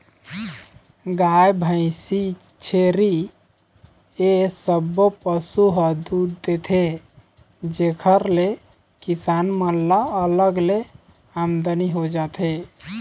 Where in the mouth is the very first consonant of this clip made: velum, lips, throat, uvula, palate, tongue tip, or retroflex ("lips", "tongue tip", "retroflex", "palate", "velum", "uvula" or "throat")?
velum